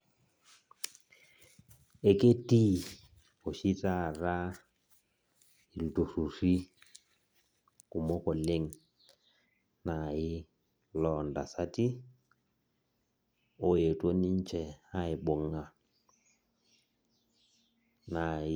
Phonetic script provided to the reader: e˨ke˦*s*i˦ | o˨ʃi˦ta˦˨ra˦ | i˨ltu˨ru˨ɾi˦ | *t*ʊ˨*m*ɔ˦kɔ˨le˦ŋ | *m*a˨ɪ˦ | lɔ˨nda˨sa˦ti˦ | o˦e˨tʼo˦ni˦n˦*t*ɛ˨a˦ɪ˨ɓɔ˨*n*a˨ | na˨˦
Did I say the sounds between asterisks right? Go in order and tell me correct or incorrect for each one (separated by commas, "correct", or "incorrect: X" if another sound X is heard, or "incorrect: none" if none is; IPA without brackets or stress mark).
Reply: incorrect: t, incorrect: k, correct, incorrect: n, incorrect: t͡ʃ, incorrect: ŋ